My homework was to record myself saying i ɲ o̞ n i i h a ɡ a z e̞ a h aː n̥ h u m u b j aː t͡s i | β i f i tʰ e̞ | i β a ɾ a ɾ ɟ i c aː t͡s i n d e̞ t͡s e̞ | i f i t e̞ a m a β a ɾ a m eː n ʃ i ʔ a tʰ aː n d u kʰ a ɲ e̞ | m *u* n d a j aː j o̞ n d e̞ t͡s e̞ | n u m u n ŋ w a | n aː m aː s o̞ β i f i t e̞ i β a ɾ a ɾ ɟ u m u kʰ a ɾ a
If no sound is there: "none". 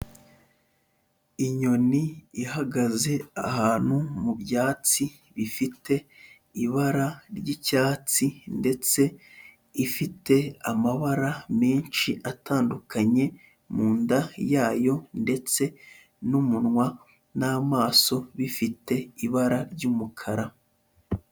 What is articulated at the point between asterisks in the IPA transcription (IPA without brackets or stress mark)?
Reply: uː